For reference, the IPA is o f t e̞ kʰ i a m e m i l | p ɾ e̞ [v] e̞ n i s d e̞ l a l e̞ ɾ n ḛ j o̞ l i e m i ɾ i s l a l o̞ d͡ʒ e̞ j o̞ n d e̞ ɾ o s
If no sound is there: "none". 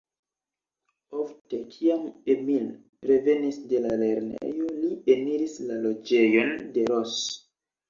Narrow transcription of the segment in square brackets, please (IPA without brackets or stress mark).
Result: v